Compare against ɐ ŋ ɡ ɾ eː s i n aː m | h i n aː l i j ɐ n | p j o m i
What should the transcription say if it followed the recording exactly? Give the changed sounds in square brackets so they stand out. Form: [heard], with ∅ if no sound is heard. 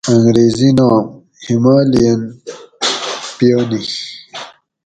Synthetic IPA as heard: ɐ ŋ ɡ ɾ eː [z] i n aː m | h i [m] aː l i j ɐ n | p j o [n] i